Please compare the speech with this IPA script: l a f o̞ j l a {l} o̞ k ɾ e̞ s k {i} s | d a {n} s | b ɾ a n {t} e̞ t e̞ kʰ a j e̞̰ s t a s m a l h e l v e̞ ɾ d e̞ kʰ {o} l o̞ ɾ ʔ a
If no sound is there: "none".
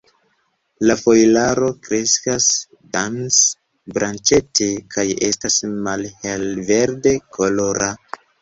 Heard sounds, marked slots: ɾ, a, n, t͡ʃ, o

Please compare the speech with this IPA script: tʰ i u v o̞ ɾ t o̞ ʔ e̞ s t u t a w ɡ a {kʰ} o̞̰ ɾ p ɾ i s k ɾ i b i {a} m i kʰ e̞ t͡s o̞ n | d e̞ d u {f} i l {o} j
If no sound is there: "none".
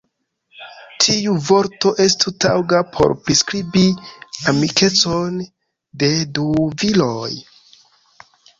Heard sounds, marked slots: pʰ, a, v, o

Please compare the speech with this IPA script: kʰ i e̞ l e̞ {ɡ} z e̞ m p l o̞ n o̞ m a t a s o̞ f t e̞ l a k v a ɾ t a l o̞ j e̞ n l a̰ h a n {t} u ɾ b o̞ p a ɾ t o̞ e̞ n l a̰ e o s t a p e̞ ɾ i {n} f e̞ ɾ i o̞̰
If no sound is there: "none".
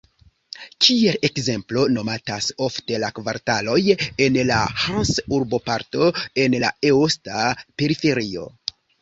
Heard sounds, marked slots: k, s, none

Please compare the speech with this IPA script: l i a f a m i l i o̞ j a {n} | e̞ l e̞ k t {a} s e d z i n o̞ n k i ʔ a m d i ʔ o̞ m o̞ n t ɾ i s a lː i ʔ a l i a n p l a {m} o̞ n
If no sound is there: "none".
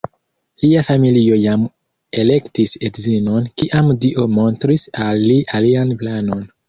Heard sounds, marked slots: m, i, n

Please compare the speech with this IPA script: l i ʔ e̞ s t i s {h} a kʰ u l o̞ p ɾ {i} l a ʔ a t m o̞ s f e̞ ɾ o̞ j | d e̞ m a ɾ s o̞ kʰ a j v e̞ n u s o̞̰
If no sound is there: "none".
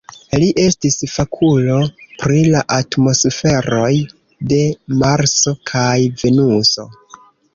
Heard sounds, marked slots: f, i

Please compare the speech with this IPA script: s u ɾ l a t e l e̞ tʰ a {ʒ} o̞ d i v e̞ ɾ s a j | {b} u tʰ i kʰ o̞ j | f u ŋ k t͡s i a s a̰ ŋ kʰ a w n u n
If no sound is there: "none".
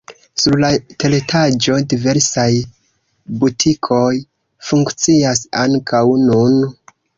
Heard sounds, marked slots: d͡ʒ, b

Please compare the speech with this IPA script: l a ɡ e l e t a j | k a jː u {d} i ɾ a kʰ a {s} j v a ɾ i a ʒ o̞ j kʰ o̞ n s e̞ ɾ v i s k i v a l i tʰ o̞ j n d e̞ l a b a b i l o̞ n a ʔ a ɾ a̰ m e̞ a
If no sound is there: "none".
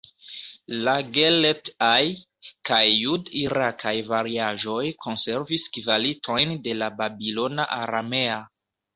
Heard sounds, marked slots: d, none

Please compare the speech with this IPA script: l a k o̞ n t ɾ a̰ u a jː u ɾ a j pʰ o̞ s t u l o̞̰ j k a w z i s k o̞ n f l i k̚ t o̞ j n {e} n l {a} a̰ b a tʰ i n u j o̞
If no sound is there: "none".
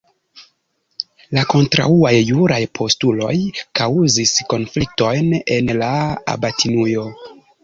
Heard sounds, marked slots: e, a

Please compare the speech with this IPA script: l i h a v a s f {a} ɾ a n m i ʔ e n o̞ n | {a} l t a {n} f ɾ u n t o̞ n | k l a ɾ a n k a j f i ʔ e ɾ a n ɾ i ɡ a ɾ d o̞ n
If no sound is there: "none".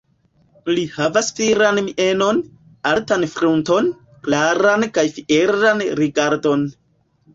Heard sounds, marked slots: i, a, n

